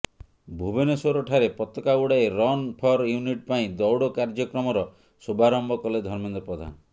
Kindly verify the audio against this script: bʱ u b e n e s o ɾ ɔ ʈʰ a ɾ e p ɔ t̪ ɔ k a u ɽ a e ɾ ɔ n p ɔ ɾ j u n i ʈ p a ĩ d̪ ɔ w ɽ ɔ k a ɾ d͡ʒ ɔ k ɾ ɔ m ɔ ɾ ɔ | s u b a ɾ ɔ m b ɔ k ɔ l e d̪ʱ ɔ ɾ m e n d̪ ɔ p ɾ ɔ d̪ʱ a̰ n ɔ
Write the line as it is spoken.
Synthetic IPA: bʱ u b e n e s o ɾ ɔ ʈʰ a ɾ e p ɔ t̪ ɔ k a u ɽ a e ɾ ɔ n pʰ ɔ ɾ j u n i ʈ p a ĩ d̪ ɔ w ɽ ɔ k a ɾ d͡ʒ ɔ k ɾ ɔ m ɔ ɾ ɔ | s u b a ɾ ɔ m b ɔ k ɔ l e d̪ʱ ɔ ɾ m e n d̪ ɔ p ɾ ɔ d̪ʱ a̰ n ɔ